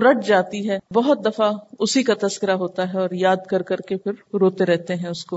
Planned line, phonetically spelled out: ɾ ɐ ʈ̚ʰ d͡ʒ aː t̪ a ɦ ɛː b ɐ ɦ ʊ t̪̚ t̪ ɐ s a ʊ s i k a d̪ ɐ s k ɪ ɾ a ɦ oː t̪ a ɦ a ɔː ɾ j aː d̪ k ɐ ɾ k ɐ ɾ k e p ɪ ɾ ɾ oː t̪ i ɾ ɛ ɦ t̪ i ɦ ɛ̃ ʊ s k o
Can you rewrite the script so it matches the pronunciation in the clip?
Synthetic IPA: ɾ ɐ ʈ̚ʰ d͡ʒ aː t̪ i ɦ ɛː b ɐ ɦ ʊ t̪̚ d̪ ɐ f a ʊ s i k a t̪ ɐ s k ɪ ɾ a ɦ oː t̪ a ɦ ɛ ɔː ɾ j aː d̪ k ɐ ɾ k ɐ ɾ k e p ɪ ɾ ɾ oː t̪ e ɾ ɛ ɦ t̪ e ɦ ɛ̃ ʊ s k o